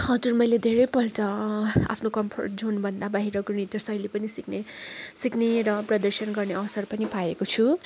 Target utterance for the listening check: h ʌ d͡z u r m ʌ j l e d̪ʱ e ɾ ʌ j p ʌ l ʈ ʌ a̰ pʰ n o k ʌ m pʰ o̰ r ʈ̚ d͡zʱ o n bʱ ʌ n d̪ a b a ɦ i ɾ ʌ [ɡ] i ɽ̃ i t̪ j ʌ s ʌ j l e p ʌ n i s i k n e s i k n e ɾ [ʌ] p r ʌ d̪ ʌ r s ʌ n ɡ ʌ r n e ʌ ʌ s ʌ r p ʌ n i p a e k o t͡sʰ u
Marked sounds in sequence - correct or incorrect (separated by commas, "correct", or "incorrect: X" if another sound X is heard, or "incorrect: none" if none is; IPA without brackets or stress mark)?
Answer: correct, correct